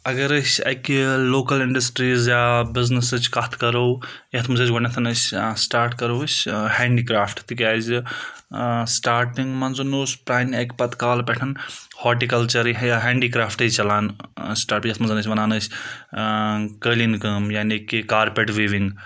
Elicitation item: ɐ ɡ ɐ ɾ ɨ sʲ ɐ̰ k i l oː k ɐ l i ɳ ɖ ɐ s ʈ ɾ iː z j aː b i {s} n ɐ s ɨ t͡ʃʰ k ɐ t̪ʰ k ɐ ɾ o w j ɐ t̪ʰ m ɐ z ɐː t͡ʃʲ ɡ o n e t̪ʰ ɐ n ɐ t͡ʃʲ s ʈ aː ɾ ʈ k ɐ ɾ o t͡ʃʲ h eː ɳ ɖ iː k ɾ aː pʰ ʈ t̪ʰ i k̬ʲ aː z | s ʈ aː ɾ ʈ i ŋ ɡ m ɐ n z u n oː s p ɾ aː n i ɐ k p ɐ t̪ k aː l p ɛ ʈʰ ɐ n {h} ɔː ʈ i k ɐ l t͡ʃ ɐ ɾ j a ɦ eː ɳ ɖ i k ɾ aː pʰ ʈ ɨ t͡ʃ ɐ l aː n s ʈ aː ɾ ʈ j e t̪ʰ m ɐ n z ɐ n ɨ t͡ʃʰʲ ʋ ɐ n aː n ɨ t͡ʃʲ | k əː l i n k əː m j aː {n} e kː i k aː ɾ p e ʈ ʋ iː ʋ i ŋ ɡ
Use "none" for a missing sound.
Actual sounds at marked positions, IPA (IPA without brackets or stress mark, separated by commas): z, h, n